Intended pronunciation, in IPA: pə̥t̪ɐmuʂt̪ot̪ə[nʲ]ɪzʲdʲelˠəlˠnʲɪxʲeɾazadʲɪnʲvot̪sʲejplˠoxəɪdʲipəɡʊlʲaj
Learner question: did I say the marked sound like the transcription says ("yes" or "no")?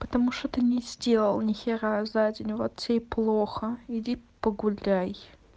yes